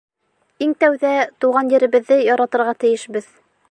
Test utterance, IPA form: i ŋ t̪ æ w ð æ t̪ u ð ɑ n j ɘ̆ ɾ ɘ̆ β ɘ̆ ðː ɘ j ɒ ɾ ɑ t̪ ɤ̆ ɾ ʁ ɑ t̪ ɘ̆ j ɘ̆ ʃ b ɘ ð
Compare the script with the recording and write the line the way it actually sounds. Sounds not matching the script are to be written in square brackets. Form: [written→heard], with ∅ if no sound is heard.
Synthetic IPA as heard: i ŋ t̪ æ w ð æ t̪ u [ð→ʁ] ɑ n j ɘ̆ ɾ ɘ̆ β ɘ̆ ðː ɘ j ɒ ɾ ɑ t̪ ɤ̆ ɾ ʁ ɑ t̪ ɘ̆ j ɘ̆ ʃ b ɘ ð

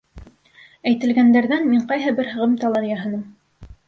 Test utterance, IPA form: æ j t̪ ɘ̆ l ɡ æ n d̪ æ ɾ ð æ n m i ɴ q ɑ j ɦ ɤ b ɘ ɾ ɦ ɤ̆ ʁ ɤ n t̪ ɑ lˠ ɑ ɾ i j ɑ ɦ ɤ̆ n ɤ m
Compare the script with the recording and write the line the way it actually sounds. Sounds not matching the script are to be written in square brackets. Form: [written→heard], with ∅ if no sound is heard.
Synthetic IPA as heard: æ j t̪ ɘ̆ l ɡ æ n d̪ æ ɾ ð æ n m i ɴ q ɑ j ɦ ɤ b ɘ ɾ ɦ ɤ̆ ʁ ɤ [n→m] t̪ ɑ lˠ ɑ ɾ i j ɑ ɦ ɤ̆ n ɤ m

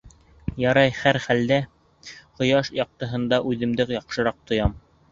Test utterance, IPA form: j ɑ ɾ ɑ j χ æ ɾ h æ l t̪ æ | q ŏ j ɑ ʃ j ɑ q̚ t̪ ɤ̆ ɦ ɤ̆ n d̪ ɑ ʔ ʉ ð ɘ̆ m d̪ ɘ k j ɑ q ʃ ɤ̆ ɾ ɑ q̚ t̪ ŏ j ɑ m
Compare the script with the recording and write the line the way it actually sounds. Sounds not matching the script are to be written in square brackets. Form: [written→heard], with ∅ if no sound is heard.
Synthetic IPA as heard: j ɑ ɾ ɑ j χ æ ɾ [h→χ] æ l [t̪→d̪] æ | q ŏ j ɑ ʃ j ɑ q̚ t̪ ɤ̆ ɦ ɤ̆ n d̪ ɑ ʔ ʉ ð ɘ̆ m d̪ ɘ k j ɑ q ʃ ɤ̆ ɾ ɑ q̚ t̪ ŏ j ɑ m

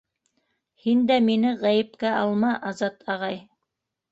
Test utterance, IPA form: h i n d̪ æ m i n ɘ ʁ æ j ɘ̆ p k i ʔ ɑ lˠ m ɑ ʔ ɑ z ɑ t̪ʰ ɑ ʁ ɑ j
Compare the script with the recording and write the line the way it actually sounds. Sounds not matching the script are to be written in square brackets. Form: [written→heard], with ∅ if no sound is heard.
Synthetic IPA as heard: h i n d̪ æ m i n ɘ ʁ æ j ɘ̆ p k [i→æ] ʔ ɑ lˠ m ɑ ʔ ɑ z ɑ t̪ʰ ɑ ʁ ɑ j

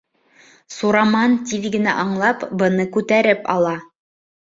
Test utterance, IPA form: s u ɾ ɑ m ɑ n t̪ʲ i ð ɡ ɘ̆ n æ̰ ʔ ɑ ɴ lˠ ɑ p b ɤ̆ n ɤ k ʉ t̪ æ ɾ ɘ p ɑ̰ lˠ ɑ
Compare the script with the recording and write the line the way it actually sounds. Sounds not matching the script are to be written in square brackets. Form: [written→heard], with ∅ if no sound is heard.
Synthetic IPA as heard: s u ɾ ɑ m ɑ n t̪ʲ i ð ɡ ɘ̆ n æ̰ ʔ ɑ ɴ lˠ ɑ p b ɤ̆ n ɤ k ʉ t̪ æ ɾ ɘ p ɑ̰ lˠ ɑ

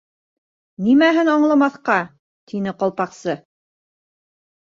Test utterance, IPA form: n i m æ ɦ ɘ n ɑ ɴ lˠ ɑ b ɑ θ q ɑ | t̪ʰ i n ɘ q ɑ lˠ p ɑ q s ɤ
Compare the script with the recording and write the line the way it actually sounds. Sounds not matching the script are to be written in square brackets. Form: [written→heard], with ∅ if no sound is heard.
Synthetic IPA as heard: n i m æ ɦ ɘ n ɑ ɴ lˠ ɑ [b→m] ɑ θ q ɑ | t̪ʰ i n ɘ q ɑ lˠ p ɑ q s ɤ

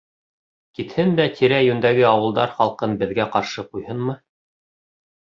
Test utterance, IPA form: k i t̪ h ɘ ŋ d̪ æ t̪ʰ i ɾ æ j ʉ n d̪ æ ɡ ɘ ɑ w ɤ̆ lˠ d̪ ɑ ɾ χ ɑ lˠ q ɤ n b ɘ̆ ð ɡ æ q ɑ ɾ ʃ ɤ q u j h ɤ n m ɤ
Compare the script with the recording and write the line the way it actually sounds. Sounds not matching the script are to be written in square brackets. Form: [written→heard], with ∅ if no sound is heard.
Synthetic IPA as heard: k i t̪ h ɘ [ŋ→n] d̪ æ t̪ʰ i ɾ æ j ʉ n d̪ æ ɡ ɘ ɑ w ɤ̆ lˠ d̪ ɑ ɾ χ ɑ lˠ q ɤ n b ɘ̆ ð ɡ æ q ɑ ɾ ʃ ɤ q u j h ɤ n m ɤ

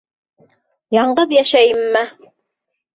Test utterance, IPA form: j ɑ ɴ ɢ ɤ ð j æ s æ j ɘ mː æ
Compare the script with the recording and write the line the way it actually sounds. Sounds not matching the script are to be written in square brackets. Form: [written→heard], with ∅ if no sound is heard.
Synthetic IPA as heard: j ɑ ɴ ɢ ɤ ð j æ [s→ʃ] æ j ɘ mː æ

